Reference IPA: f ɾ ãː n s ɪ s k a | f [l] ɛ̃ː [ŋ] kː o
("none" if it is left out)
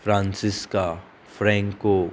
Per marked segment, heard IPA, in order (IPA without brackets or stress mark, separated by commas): ɾ, ŋ